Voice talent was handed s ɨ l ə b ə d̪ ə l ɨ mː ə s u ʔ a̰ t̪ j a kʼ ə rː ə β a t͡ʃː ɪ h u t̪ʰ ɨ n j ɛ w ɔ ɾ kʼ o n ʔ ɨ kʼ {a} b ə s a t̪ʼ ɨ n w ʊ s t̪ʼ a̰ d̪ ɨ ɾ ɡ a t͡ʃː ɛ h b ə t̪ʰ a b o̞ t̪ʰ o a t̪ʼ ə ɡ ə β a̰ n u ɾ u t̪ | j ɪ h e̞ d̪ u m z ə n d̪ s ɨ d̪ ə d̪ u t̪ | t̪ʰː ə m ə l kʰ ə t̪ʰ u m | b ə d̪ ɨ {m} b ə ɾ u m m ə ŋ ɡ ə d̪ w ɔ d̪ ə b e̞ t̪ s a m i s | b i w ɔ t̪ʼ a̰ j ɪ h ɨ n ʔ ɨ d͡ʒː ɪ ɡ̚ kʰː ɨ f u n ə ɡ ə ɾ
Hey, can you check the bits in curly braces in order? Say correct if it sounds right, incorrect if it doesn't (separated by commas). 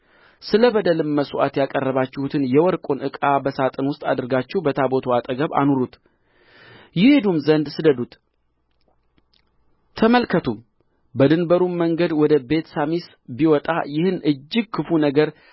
correct, incorrect